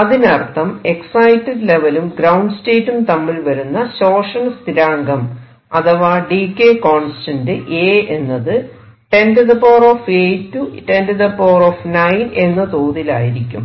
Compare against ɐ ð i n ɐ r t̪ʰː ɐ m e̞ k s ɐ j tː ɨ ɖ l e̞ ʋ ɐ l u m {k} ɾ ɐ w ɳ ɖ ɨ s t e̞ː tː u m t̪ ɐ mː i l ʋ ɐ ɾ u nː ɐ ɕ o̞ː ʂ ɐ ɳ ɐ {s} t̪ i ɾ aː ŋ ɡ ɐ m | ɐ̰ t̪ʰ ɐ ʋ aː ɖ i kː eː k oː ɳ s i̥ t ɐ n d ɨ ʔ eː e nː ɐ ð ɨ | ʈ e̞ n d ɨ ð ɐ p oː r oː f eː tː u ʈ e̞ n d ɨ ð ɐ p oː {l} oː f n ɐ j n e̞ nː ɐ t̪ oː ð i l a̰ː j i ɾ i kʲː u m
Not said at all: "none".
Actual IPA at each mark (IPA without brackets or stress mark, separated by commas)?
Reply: ɡ, s, r